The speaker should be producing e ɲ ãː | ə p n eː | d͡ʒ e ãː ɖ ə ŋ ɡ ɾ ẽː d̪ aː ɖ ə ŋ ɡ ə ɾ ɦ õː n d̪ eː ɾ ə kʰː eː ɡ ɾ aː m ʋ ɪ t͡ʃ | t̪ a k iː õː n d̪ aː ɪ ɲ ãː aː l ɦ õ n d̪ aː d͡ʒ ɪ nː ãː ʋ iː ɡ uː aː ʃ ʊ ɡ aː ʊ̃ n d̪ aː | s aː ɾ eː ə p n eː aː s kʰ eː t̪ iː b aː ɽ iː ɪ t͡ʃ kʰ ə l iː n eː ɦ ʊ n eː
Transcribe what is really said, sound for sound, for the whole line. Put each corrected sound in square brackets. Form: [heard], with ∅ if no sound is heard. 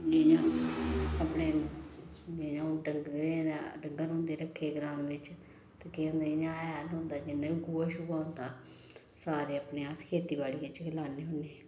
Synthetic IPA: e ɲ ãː | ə p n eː | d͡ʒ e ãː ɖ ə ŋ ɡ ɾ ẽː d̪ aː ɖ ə ŋ ɡ ə ɾ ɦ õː n d̪ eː ɾ ə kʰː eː ɡ ɾ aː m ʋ ɪ t͡ʃ | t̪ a k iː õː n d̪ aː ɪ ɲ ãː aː l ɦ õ n d̪ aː d͡ʒ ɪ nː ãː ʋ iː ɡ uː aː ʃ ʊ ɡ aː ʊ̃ n d̪ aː | s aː ɾ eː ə p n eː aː s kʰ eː t̪ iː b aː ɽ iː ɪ t͡ʃ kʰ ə l [aː] n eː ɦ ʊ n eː